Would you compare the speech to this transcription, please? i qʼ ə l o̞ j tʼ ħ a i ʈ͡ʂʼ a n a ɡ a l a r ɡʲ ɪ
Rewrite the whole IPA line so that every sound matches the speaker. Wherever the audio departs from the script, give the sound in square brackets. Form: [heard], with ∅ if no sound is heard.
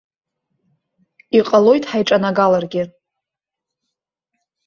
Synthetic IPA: i qʼ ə l o̞ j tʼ ħ a [j] ʈ͡ʂʼ a n a ɡ a l a r ɡʲ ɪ